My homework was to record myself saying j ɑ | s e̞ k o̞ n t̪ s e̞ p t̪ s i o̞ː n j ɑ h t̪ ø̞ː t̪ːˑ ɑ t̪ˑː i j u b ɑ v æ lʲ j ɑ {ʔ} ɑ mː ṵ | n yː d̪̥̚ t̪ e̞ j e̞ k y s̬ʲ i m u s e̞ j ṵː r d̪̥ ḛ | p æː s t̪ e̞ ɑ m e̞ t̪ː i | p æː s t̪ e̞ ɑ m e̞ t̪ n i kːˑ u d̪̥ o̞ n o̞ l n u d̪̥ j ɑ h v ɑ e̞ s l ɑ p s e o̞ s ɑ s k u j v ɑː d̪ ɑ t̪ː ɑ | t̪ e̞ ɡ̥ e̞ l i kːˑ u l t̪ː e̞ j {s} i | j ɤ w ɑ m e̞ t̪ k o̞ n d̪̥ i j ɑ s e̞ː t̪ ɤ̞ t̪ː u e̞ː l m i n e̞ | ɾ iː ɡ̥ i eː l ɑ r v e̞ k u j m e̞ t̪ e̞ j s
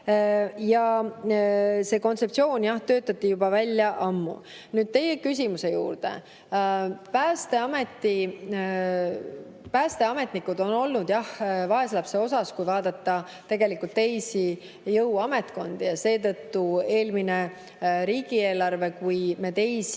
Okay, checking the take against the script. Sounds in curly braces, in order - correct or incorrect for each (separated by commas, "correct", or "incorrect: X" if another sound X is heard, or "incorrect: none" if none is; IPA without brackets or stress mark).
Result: correct, correct